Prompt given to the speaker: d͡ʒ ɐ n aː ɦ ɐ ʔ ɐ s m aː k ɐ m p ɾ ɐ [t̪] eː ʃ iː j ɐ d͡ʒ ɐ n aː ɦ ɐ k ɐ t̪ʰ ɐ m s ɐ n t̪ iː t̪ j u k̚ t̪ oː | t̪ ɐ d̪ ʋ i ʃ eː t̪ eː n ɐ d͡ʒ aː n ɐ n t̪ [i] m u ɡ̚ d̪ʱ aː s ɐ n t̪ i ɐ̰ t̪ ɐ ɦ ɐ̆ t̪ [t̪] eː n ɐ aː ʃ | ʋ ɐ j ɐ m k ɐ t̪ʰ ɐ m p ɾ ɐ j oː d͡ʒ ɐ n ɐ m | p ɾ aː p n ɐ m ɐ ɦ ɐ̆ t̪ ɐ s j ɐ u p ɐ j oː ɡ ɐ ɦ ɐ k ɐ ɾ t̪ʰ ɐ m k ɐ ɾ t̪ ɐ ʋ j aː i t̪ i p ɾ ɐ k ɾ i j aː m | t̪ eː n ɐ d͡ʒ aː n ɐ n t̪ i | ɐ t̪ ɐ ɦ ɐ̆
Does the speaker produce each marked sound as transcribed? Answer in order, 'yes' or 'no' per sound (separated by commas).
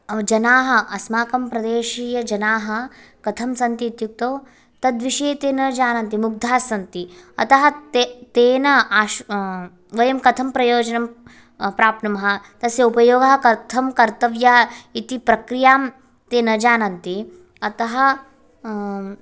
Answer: no, yes, yes